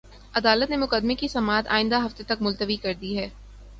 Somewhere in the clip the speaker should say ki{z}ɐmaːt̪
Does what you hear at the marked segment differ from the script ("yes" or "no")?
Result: yes